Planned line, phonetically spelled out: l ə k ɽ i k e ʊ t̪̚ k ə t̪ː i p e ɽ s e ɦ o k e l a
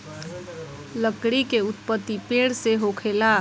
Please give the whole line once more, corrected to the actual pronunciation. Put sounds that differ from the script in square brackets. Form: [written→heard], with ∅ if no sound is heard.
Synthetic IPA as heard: l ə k ɽ i k e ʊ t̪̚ [k→p] ə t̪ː i p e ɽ s e ɦ o [k→kʰ] e l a